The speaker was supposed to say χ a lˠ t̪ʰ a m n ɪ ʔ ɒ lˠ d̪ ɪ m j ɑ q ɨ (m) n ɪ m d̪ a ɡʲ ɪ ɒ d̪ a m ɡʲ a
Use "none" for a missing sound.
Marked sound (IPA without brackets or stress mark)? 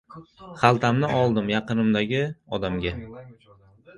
none